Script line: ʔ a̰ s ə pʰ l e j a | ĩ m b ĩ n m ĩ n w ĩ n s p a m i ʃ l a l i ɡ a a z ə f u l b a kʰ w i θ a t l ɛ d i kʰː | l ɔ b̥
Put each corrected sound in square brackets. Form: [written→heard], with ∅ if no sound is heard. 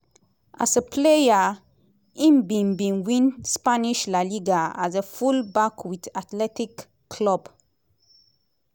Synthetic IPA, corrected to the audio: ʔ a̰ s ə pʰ l e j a | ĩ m b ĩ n [m→b] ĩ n w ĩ n s p a [m→n] i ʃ l a l i ɡ a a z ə f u l b a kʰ w i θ a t l ɛ [d→t] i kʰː | l ɔ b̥